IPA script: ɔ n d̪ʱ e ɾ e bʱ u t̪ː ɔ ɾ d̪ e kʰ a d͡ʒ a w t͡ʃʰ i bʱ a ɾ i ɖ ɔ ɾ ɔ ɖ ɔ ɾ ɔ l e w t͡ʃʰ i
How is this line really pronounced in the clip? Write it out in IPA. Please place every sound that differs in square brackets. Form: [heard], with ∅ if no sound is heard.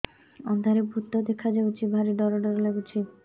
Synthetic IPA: ɔ n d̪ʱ [a] ɾ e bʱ u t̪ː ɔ [∅] d̪ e kʰ a d͡ʒ a w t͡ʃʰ i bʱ a ɾ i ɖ ɔ ɾ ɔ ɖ ɔ ɾ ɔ l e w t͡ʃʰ i